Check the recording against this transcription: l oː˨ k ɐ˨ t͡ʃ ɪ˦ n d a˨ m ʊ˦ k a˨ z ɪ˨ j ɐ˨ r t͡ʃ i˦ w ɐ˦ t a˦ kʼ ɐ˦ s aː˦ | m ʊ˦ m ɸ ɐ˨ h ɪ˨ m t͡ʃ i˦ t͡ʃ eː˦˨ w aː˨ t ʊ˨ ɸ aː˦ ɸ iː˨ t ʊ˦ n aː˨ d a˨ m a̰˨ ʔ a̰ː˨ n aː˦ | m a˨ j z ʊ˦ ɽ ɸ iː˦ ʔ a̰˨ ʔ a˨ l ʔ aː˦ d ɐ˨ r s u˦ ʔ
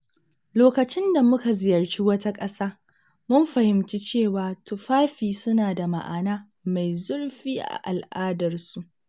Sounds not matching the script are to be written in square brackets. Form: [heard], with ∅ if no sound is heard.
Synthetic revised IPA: l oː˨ k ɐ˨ t͡ʃ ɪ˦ n d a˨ m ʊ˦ k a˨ z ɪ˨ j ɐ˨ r t͡ʃ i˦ w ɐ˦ t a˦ kʼ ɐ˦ s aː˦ | m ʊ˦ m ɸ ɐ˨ h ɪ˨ m t͡ʃ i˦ t͡ʃ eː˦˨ w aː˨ t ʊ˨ ɸ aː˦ ɸ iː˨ [s] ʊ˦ n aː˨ d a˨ m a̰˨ ʔ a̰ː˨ n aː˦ | m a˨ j z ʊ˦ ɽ ɸ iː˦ ʔ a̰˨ ʔ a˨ l ʔ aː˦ d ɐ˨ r s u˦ ʔ

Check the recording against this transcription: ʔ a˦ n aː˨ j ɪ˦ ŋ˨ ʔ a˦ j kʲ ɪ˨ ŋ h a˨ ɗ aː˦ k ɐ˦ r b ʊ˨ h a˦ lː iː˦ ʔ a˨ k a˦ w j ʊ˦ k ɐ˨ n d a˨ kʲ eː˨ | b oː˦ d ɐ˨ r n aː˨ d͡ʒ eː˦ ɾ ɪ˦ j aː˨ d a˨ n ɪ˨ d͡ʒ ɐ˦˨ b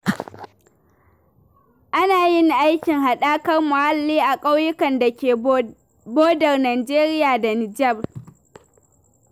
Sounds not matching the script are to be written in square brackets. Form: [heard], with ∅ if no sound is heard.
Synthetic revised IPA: ʔ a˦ n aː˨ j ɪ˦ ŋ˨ ʔ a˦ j kʲ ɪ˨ ŋ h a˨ ɗ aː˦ k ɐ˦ r [m] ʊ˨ h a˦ lː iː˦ ʔ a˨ [kʼ] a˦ w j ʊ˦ k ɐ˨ n d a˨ kʲ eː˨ | b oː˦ d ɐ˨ r n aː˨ d͡ʒ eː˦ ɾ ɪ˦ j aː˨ d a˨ n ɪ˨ d͡ʒ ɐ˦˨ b

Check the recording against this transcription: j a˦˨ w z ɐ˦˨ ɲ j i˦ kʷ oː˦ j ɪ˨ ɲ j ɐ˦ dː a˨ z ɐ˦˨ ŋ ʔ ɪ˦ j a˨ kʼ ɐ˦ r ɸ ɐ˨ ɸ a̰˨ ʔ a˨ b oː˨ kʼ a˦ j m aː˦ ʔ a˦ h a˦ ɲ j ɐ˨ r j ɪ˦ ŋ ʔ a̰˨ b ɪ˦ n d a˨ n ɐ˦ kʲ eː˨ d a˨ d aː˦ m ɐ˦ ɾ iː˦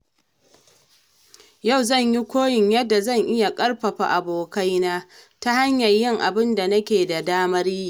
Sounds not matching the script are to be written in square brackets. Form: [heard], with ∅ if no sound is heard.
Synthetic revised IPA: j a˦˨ w z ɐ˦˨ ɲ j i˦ kʷ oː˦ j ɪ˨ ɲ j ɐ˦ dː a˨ z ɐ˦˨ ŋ ʔ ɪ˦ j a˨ kʼ ɐ˦ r ɸ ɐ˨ ɸ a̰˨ ʔ a˨ b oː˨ [k] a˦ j [n] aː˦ [t] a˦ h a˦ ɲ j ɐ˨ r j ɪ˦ ŋ ʔ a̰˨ b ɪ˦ n d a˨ n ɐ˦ kʲ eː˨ d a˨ d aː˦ m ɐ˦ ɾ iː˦

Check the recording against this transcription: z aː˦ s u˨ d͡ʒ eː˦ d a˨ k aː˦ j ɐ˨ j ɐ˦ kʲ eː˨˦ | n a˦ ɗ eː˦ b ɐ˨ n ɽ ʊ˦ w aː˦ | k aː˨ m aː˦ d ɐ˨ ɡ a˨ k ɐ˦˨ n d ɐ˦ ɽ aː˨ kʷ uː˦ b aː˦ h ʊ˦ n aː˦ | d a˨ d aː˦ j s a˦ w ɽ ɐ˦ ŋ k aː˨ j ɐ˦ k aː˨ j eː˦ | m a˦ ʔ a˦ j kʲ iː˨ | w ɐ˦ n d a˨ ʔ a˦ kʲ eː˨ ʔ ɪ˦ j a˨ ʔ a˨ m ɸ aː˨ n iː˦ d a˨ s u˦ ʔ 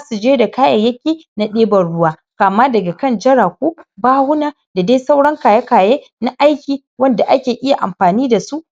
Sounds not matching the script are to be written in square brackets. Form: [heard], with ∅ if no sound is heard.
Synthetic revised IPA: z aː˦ s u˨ d͡ʒ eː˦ d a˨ k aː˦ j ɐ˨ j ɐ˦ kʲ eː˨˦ | n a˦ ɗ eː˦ b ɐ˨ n ɽ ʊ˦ w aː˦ | k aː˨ m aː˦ d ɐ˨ ɡ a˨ k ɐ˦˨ n [d͡ʒ] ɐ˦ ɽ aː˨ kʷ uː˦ b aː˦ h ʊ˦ n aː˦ | d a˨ d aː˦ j s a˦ w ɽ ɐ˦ ŋ k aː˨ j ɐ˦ k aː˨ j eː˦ | [n] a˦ ʔ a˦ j kʲ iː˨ | w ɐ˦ n d a˨ ʔ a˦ kʲ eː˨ ʔ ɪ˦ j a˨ ʔ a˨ m ɸ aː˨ n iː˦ d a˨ s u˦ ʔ

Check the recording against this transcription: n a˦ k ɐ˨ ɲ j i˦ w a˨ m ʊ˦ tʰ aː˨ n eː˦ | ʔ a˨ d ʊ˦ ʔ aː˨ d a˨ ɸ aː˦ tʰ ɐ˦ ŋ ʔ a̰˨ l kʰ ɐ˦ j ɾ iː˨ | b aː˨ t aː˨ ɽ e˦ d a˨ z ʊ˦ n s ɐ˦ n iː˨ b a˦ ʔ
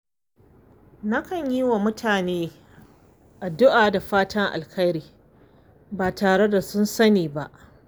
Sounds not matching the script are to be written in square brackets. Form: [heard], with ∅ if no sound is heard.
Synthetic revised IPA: n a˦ k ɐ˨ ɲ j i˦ w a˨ m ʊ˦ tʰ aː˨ n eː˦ | ʔ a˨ d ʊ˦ ʔ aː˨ d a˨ ɸ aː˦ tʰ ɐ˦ ŋ ʔ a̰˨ l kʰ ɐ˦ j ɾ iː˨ | b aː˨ t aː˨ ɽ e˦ d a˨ [s] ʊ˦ n s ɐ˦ n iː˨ b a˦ ʔ

